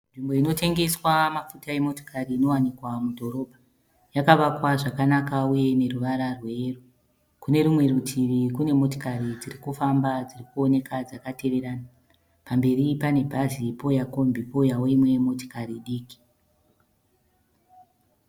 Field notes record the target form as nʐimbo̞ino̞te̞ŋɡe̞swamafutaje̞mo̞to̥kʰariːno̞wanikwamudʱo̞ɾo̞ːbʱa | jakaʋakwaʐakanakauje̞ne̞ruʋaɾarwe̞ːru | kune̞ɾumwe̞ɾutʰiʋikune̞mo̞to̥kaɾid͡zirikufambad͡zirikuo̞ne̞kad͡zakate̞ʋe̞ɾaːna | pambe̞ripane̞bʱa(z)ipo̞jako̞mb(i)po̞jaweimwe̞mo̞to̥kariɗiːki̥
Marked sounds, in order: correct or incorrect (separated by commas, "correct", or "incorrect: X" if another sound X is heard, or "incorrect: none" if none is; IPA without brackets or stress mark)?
correct, correct